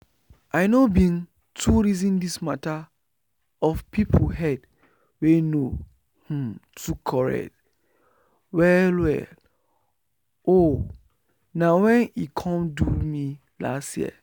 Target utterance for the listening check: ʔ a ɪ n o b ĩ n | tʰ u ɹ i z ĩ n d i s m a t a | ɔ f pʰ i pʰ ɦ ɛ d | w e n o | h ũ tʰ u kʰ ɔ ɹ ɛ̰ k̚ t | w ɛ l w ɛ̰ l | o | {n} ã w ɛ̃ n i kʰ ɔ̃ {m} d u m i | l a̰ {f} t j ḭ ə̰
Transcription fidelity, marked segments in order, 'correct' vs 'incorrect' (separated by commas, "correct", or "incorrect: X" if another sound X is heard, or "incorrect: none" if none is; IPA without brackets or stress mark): correct, correct, incorrect: s